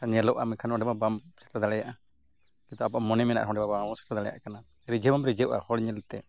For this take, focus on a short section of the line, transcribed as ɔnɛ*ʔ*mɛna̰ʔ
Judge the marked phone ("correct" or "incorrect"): incorrect